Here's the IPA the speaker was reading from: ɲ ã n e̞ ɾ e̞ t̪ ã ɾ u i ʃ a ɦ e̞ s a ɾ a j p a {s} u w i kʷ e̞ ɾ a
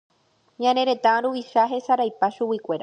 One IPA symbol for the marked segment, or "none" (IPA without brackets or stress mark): ʃ